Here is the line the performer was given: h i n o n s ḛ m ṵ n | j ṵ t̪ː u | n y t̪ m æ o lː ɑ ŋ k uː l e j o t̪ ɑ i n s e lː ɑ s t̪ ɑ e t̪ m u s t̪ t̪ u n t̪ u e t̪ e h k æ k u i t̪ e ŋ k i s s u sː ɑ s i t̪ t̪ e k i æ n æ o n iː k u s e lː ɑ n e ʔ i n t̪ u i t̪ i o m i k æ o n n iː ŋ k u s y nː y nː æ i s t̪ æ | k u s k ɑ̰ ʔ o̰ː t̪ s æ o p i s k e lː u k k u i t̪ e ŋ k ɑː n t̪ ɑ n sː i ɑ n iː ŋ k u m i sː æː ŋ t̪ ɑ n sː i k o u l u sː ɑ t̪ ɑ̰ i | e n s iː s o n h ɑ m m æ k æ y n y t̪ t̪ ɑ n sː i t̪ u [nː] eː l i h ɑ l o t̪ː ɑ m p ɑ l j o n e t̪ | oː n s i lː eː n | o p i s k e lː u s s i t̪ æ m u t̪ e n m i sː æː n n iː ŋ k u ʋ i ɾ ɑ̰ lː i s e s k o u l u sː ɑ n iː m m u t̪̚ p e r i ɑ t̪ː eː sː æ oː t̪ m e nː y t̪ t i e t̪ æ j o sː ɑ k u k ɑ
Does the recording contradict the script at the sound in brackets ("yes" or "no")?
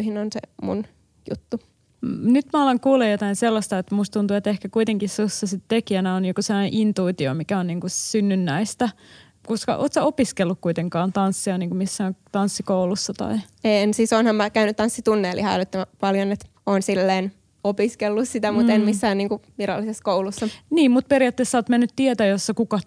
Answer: no